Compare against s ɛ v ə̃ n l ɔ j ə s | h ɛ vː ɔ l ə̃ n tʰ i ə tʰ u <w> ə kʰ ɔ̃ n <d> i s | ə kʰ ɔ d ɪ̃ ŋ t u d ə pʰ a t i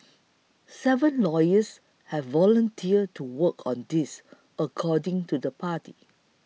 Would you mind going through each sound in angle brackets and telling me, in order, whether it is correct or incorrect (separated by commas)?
correct, correct